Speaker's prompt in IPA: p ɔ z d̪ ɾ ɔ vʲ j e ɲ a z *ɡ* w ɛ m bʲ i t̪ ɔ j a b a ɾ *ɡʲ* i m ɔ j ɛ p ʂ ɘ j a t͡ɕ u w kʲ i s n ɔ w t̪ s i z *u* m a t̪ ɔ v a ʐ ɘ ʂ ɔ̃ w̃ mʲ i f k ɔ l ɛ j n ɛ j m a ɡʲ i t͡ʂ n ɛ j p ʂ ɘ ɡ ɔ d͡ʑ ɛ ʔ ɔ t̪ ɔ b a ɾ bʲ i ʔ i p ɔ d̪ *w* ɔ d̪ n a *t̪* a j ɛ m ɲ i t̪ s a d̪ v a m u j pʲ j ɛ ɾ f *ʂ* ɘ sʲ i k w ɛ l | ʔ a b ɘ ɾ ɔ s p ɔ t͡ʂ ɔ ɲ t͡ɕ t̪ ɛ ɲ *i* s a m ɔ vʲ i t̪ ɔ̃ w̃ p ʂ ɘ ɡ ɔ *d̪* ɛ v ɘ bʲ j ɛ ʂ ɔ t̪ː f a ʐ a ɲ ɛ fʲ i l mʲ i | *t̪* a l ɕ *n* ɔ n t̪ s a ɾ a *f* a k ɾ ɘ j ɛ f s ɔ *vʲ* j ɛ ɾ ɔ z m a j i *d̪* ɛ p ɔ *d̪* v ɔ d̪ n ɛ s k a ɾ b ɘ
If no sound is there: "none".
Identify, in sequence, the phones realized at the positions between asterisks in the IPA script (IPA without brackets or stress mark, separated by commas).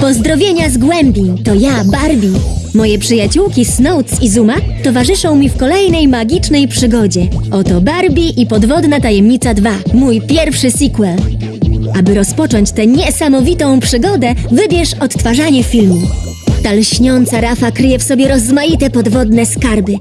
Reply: ɡ, bʲ, u, v, t̪, ʂ, ɛ, d̪, t̪, ɲ, f, bʲ, t̪, d̪